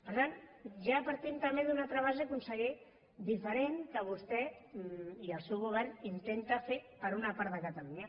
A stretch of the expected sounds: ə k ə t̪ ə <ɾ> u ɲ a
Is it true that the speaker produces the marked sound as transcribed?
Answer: no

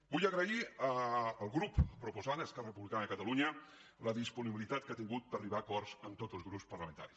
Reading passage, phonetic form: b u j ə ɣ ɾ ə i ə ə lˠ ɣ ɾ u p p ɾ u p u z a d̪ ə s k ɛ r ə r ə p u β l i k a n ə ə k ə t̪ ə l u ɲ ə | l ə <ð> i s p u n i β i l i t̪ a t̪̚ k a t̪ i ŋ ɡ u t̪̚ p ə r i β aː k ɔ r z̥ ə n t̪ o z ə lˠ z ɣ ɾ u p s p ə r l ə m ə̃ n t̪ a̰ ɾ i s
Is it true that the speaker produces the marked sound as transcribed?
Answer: yes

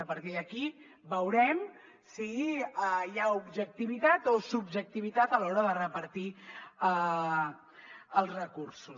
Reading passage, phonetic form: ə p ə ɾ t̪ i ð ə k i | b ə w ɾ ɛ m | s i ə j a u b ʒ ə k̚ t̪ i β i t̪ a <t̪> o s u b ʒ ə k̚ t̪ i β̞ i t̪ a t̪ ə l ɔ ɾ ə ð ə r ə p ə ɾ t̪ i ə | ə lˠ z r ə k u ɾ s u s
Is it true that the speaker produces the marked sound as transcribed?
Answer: yes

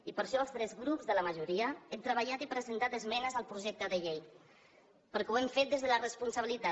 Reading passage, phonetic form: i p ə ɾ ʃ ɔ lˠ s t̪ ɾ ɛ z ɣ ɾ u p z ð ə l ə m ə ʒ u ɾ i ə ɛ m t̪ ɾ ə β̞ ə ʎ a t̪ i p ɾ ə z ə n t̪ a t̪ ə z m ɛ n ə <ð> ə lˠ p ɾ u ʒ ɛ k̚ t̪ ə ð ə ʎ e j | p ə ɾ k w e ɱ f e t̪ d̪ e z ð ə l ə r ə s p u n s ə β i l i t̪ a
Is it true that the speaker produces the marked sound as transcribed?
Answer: no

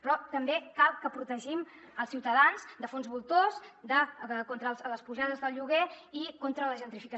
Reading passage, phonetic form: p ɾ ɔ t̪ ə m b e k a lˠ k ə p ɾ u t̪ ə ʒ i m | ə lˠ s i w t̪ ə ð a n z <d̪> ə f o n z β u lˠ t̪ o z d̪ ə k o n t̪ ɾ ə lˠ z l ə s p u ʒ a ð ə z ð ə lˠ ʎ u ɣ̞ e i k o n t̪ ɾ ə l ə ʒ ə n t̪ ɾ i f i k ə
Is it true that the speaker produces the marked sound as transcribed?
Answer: yes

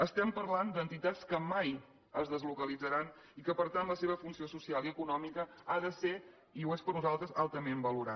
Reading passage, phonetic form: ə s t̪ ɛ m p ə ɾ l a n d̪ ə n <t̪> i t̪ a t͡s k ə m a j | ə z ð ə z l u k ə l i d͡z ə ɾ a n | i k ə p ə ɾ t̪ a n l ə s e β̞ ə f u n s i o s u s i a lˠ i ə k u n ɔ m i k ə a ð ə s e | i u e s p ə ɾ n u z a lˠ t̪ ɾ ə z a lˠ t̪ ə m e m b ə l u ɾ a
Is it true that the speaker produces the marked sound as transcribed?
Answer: yes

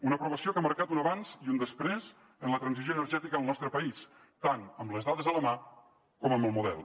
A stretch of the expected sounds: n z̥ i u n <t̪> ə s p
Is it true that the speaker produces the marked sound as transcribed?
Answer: no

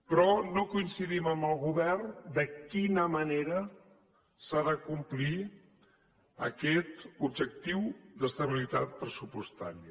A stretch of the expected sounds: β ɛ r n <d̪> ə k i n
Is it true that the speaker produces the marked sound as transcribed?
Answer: yes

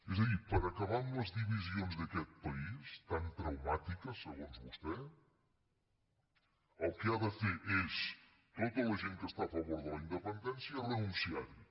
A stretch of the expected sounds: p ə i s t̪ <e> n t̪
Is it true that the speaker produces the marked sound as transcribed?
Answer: no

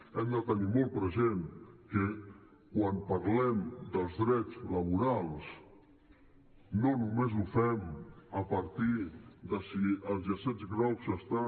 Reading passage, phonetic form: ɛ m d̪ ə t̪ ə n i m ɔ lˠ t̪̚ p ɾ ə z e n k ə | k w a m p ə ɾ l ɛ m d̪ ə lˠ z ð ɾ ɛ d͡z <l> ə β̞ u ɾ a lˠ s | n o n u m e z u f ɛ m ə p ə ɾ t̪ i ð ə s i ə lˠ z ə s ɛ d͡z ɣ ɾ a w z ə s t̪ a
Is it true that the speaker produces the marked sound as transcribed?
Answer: yes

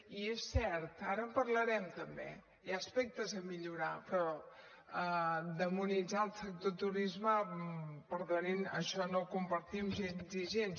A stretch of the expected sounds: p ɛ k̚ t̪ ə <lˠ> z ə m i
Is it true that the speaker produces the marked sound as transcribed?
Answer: no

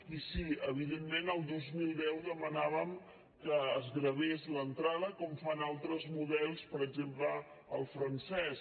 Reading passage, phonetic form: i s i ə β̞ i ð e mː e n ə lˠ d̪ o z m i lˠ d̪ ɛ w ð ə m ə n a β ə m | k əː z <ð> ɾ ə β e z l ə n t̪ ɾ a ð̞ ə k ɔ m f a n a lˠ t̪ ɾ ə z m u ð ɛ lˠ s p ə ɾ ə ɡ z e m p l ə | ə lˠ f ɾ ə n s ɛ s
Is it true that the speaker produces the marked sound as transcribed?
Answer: no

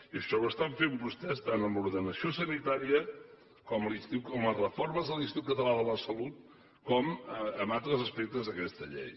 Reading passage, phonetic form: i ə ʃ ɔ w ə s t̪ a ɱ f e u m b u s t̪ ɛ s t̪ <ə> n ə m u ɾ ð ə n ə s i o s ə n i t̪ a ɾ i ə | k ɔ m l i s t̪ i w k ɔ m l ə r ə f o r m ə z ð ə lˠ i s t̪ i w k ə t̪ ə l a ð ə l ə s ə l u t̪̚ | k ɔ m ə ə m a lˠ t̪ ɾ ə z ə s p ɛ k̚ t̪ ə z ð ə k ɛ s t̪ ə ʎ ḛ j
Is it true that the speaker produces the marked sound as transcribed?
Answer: no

